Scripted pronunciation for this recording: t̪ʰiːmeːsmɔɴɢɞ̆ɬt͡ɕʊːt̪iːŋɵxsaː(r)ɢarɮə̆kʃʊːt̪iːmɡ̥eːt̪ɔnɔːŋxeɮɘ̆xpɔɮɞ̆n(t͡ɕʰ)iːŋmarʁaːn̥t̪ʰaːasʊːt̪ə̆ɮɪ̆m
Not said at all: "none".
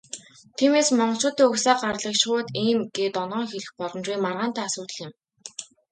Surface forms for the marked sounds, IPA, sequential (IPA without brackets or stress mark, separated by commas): none, t͡ɕ